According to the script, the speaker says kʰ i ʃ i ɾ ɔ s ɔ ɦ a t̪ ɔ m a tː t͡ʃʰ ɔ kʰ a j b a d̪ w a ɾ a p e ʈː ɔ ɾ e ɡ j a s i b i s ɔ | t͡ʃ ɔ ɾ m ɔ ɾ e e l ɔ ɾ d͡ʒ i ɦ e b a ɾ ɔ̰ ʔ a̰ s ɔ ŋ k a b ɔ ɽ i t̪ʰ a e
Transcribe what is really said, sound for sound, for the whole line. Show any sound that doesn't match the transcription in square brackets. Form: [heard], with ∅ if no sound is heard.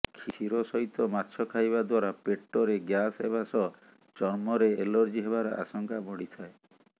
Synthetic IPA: kʰ i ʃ i ɾ ɔ s ɔ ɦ [i] t̪ ɔ m a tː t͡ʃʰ ɔ kʰ a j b a d̪ w a ɾ a p e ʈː ɔ ɾ e ɡ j a s [e] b [a] s ɔ | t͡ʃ ɔ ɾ m ɔ ɾ e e l ɔ ɾ d͡ʒ i ɦ e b a ɾ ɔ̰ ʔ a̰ s ɔ ŋ k a b ɔ ɽ i t̪ʰ a e